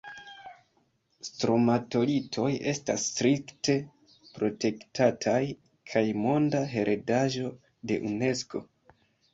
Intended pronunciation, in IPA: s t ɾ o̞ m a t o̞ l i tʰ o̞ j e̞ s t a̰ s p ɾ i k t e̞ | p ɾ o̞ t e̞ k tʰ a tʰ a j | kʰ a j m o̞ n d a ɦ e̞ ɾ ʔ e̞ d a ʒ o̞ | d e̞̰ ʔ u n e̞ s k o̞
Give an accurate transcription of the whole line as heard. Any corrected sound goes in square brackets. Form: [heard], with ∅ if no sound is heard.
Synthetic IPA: s t ɾ o̞ m a t o̞ l i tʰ o̞ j e̞ s t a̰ s [t] ɾ i k t e̞ | p ɾ o̞ t e̞ k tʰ a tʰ a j | kʰ a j m o̞ n d a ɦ e̞ ɾ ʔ e̞ d a ʒ o̞ | d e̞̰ ʔ u n e̞ s k o̞

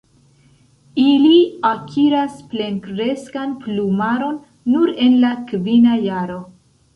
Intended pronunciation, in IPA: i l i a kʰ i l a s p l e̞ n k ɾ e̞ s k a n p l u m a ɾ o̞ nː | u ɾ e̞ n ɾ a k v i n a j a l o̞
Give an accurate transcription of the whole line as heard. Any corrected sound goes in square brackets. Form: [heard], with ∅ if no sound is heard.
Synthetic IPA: i l i a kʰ i [ɾ] a s p l e̞ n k ɾ e̞ s k a n p l u m a ɾ o̞ nː | u ɾ e̞ n [l] a k v i n a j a [ɾ] o̞

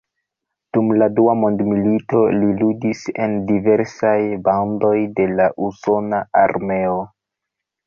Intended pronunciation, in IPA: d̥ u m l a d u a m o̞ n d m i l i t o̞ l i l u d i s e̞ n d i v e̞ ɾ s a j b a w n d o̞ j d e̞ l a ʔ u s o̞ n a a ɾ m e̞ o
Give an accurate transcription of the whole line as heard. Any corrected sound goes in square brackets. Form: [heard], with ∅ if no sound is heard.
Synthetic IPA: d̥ u m l a d u a m o̞ n d m i l i t o̞ l i l u d i s e̞ n d i v e̞ ɾ s a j b a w n d o̞ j d e̞ l a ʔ u s o̞ n a a ɾ m e̞ o

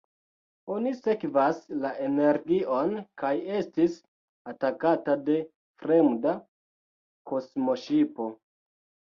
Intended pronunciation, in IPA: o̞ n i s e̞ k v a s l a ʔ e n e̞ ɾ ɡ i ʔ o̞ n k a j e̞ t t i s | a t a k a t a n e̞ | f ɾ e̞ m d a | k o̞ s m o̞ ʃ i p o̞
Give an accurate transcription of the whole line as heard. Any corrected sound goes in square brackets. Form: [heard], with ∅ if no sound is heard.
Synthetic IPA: o̞ n i s e̞ k v a s l a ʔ e n e̞ ɾ ɡ i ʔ o̞ n k a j e̞ [s] t i s | a t a k a t a [d] e̞ | f ɾ e̞ m d a | k o̞ s m o̞ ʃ i p o̞

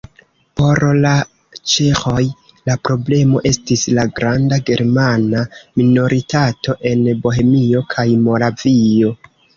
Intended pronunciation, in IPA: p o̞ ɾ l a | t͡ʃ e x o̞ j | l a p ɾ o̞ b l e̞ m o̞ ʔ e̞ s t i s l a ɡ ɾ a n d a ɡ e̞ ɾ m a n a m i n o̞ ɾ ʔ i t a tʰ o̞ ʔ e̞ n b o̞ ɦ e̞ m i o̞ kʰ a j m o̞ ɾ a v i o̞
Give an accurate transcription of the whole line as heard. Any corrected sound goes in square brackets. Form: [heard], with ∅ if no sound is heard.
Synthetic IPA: p o̞ ɾ l a | t͡ʃ e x o̞ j | l a p ɾ o̞ b l e̞ m o̞ ʔ e̞ s t i s l a ɡ ɾ a n d a ɡ e̞ ɾ m a n a m i n o̞ ɾ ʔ i t a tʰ o̞ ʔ e̞ n b o̞ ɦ e̞ m i o̞ kʰ a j m o̞ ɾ a v i o̞

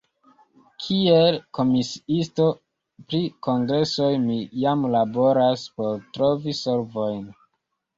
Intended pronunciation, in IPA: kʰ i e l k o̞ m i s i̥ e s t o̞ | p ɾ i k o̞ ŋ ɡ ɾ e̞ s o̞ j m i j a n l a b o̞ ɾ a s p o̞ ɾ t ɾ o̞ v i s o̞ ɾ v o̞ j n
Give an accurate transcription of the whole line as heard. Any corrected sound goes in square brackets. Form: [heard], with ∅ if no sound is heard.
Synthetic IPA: kʰ i e l k o̞ m i s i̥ [i] s t o̞ | p ɾ i k o̞ ŋ ɡ ɾ e̞ s o̞ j m i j a [m] l a b o̞ ɾ a s p o̞ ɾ t ɾ o̞ v i s o̞ ɾ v o̞ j n

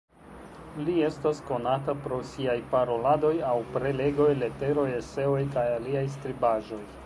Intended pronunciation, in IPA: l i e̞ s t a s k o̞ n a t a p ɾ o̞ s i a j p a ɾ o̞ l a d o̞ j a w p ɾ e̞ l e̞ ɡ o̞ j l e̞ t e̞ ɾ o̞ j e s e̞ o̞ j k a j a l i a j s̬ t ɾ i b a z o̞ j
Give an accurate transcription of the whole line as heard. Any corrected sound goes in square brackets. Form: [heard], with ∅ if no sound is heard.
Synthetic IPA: l i e̞ s t a s k o̞ n a t a p ɾ o̞ s i a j p a ɾ o̞ l a d o̞ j a w p ɾ e̞ l e̞ ɡ o̞ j l e̞ t e̞ ɾ o̞ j e s e̞ o̞ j k a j a l i a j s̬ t ɾ i b a [ʒ] o̞ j

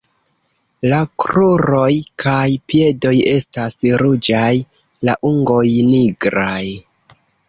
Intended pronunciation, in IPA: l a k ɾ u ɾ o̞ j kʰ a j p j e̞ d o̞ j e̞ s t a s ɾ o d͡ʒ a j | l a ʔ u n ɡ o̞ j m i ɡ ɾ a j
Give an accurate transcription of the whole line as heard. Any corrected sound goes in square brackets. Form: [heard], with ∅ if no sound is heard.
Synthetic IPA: l a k ɾ u ɾ o̞ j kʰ a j p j e̞ d o̞ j e̞ s t a s ɾ [u] d͡ʒ a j | l a ʔ u [ŋ] ɡ o̞ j [n] i ɡ ɾ a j

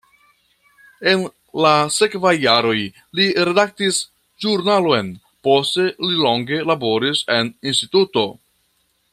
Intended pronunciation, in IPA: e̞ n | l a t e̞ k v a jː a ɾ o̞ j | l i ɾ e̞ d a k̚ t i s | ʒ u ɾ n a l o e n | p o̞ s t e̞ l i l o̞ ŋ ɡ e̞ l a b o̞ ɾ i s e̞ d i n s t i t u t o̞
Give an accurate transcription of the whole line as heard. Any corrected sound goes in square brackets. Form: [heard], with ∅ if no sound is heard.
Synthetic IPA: e̞ n | l a [s] e̞ k v a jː a ɾ o̞ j | l i ɾ e̞ d a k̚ t i s | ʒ u ɾ n a l o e n | p o̞ s t e̞ l i l o̞ ŋ ɡ e̞ l a b o̞ ɾ i s e̞ [n] i n s t i t u t o̞

